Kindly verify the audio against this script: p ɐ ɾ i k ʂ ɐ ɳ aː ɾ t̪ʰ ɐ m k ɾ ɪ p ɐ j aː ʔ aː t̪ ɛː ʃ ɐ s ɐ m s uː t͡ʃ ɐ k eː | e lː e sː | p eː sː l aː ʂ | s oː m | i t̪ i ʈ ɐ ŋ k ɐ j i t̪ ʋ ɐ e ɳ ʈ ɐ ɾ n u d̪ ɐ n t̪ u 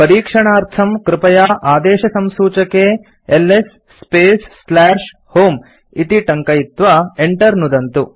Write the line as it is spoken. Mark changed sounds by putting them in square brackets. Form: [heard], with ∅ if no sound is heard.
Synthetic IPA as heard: p ɐ ɾ [iː] k ʂ ɐ ɳ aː ɾ t̪ʰ ɐ m k ɾ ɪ p ɐ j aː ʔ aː [d̪] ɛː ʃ ɐ s ɐ m s uː t͡ʃ ɐ k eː | e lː e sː | p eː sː l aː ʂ | [h] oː m | i t̪ i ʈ ɐ ŋ k ɐ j i t̪ ʋ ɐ e ɳ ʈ ɐ ɾ n u d̪ ɐ n t̪ u